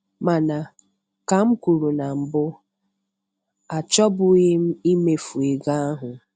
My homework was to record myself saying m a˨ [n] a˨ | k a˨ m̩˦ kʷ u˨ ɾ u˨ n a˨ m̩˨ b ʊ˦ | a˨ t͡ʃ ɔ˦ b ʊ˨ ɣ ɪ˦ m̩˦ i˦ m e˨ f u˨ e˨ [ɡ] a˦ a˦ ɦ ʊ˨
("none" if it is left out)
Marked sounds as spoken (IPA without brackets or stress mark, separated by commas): n, ɡ